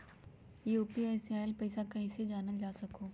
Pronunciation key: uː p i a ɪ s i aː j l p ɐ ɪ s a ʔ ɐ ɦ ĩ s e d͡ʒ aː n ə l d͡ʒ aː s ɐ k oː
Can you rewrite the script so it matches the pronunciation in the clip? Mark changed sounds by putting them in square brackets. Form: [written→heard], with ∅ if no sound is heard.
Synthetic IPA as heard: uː p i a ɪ s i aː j l p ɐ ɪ s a [ʔ→k] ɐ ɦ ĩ s e d͡ʒ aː n ə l d͡ʒ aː s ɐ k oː